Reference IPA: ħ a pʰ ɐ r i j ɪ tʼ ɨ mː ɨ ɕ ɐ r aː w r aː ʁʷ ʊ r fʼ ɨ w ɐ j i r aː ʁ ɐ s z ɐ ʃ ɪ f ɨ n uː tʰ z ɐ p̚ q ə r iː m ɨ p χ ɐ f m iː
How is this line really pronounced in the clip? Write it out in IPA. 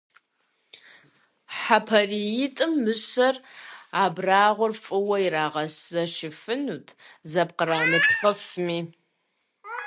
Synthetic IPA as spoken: ħ a pʰ ɐ r i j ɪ tʼ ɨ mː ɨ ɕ ɐ r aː b r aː ʁʷ ʊ r fʼ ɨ w ɐ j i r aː ʁ ɐ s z ɐ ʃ ɪ f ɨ n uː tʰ z ɐ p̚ q ə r aː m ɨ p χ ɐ f m iː